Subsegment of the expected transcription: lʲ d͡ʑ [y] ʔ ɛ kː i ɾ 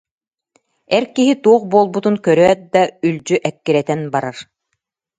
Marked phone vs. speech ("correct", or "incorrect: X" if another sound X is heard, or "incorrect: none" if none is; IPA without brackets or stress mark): correct